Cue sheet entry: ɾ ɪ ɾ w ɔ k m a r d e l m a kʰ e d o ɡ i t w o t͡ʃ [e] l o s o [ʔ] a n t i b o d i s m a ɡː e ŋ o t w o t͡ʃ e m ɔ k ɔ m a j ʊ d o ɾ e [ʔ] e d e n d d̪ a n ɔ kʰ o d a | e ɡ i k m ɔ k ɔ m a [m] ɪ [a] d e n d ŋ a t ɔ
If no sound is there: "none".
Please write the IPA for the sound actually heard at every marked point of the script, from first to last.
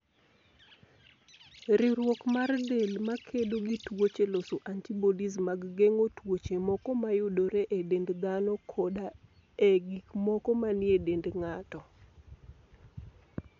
e, ʔ, ʔ, n, e

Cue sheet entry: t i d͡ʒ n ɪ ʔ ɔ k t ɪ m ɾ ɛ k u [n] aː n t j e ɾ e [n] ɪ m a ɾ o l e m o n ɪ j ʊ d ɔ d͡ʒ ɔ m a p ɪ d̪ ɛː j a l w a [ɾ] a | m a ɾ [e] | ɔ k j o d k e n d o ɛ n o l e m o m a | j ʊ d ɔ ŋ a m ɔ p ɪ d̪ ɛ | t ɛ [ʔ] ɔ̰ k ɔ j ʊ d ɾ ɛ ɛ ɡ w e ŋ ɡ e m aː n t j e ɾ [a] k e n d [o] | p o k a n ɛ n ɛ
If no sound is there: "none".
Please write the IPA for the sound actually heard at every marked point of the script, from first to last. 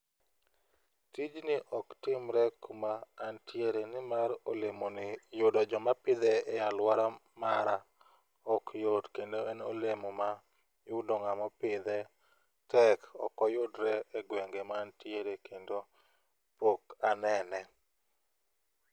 m, n, ɾ, a, k, e, o

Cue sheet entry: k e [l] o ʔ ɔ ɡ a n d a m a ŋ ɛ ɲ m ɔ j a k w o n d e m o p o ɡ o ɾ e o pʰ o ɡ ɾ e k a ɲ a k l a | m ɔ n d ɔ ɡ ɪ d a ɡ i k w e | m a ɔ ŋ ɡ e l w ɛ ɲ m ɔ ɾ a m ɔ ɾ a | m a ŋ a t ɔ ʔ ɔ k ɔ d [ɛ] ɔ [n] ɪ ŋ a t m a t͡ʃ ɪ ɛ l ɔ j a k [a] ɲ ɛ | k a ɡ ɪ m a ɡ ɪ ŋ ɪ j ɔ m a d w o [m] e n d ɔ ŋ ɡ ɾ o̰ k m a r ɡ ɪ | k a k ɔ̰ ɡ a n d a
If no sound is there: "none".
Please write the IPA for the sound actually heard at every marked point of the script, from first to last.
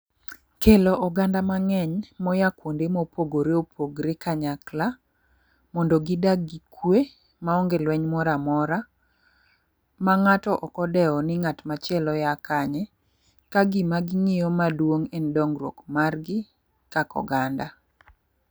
l, ɛ, n, a, ŋ

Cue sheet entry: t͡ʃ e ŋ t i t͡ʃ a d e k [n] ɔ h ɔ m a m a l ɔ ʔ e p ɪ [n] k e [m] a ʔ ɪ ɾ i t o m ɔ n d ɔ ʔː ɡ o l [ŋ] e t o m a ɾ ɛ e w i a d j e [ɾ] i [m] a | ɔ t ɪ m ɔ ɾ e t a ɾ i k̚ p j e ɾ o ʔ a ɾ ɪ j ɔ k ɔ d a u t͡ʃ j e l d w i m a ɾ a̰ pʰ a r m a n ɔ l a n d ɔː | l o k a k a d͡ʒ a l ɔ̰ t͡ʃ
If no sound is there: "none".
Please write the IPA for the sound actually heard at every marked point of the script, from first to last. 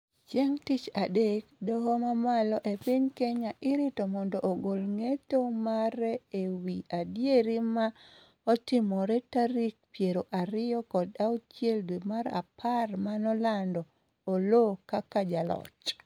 d, ɲ, ɲ, ŋ, ɾ, m

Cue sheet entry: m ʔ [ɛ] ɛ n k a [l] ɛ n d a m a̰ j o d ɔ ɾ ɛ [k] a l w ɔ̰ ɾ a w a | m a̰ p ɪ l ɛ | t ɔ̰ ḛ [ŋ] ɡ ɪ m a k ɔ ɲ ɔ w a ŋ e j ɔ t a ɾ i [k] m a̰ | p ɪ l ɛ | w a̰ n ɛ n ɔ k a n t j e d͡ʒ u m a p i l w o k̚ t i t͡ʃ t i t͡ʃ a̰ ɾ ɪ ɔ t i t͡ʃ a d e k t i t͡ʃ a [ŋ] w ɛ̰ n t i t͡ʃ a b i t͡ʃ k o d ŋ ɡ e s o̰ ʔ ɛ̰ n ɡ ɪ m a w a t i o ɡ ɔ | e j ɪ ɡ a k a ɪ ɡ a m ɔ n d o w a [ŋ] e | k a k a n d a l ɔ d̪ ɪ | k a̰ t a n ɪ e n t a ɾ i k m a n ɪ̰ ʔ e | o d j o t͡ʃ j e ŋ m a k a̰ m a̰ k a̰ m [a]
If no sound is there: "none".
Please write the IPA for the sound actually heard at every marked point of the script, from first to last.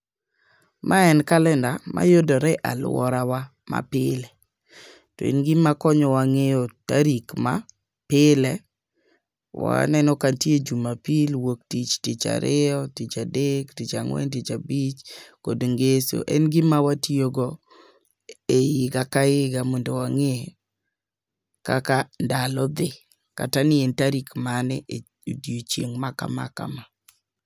a, l, ʔ, n, k, ŋ, ŋ, a

